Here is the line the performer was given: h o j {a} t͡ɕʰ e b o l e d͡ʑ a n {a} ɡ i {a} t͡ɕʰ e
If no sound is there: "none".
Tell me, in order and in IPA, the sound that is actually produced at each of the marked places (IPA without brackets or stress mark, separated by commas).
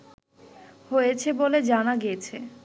e, a, e